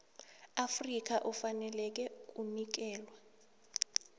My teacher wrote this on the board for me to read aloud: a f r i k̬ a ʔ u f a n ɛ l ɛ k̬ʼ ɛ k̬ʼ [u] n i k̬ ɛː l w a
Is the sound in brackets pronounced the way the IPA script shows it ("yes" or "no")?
yes